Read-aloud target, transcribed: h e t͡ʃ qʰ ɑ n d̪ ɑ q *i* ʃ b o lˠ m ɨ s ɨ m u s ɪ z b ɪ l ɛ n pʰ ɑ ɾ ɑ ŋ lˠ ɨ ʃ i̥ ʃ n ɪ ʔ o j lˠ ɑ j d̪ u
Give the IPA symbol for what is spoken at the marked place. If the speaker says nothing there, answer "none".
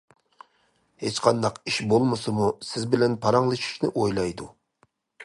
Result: i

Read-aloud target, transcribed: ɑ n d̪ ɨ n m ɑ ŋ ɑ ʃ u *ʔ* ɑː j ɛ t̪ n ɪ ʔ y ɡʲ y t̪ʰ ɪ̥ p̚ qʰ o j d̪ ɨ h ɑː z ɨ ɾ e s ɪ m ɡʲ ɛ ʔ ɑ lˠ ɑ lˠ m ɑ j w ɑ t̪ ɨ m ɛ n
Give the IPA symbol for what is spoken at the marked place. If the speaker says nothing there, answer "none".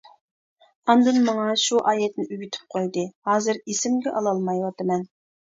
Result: ʔ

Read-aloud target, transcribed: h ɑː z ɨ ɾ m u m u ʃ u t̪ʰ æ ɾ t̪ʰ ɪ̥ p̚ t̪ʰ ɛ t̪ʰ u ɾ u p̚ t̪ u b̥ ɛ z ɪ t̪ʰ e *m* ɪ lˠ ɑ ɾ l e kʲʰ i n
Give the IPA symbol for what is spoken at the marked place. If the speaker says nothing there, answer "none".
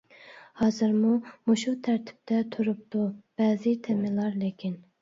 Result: m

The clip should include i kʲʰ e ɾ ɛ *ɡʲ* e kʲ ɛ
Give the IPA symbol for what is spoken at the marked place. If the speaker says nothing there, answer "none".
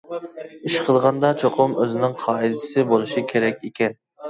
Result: kʲ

